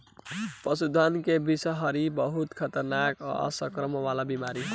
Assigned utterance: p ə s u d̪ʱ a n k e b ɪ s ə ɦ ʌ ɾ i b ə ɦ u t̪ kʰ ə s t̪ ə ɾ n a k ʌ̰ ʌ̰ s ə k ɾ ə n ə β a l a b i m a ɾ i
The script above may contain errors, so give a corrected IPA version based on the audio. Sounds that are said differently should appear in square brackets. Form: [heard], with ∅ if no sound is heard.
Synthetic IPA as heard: p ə s u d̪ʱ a n k e b [i] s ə ɦ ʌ ɾ i b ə ɦ u t̪ kʰ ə [∅] t̪ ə ɾ n a k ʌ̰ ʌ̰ s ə k ɾ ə [m] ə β a l a b i m a ɾ i